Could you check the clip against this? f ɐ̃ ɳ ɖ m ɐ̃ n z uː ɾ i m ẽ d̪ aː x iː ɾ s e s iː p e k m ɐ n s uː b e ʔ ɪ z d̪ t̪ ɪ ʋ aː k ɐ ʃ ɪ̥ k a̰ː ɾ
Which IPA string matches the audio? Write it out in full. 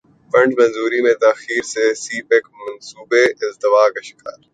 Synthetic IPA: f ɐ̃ ɳ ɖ m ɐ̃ n z uː ɾ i m ẽ t̪ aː x iː ɾ s e s iː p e k m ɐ n s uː b e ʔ ɪ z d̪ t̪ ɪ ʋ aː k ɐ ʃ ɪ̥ k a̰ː ɾ